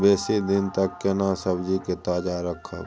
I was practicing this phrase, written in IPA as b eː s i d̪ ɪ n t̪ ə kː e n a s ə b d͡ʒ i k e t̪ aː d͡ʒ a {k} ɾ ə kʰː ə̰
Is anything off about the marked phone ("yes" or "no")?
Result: yes